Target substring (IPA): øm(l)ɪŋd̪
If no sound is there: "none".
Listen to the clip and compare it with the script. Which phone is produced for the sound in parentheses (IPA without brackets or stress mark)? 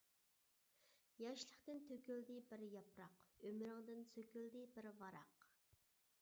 ɾ